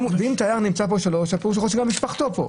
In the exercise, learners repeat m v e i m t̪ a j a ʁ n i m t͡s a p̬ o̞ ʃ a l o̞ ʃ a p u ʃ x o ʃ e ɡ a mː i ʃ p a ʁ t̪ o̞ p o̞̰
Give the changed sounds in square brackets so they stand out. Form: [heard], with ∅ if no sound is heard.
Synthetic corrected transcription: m v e i m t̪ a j a ʁ n i m t͡s a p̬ o̞ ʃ a l o̞ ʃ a p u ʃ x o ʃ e ɡ a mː i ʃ p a [χ] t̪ o̞ p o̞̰